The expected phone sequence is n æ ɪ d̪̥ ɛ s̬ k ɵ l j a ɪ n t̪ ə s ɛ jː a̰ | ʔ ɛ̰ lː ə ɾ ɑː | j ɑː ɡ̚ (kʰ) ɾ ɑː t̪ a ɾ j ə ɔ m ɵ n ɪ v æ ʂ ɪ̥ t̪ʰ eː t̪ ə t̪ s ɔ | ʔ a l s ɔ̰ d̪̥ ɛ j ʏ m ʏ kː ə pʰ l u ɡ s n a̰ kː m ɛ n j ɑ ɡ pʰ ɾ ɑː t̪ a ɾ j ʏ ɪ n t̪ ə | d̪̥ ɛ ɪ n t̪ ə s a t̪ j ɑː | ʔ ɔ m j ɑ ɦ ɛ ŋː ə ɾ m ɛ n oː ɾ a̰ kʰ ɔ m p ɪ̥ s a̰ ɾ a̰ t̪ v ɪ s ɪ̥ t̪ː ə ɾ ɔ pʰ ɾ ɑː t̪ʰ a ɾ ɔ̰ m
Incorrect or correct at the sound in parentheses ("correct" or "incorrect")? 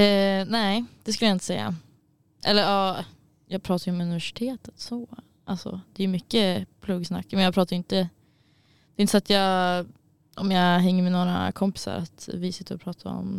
incorrect